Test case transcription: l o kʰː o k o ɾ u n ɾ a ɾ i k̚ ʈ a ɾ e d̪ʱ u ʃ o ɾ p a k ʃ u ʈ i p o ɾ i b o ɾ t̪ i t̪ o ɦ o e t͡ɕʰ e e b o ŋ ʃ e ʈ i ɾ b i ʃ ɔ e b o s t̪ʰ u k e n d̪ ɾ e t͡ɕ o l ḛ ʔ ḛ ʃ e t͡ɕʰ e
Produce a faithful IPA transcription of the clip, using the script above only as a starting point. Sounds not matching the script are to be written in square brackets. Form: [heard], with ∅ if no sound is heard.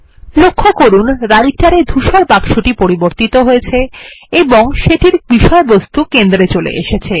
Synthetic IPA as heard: l o kʰː o k o ɾ u n ɾ a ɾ i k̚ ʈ a ɾ e d̪ʱ u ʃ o ɾ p a k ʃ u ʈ i p o ɾ i b o ɾ t̪ i t̪ o ɦ o e t͡ɕʰ e e b o ŋ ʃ e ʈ i ɾ b i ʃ ɔ e b o s [t̪] u k e n d̪ ɾ e t͡ɕ o l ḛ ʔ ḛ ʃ e t͡ɕʰ e